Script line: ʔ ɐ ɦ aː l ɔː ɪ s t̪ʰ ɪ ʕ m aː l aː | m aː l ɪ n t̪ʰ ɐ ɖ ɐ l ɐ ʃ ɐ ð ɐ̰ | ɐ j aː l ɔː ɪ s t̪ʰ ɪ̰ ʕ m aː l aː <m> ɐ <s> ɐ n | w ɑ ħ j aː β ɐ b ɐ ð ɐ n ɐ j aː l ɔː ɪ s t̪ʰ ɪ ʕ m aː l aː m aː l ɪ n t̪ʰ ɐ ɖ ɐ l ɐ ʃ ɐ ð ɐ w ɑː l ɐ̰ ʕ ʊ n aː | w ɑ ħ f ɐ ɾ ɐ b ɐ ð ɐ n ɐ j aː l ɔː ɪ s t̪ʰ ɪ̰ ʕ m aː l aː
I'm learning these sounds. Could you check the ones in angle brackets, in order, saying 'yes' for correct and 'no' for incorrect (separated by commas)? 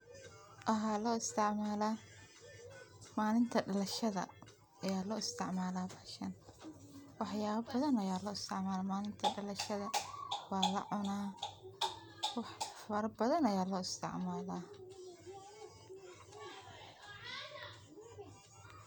no, no